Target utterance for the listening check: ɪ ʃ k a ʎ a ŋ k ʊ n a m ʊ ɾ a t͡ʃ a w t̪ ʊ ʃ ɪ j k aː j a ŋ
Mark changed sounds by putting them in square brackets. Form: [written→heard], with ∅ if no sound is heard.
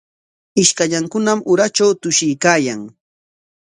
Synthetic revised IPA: ɪ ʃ k a ʎ a ŋ k ʊ n a m ʊ ɾ a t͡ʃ a w t̪ ʊ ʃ ɪ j k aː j a ŋ